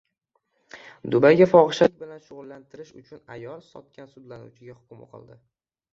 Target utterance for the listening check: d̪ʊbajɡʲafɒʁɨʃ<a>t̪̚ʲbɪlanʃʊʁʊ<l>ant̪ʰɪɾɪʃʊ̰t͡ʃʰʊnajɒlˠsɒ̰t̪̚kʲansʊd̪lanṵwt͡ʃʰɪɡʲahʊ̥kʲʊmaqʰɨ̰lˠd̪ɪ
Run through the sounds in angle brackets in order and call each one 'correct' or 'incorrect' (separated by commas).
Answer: correct, incorrect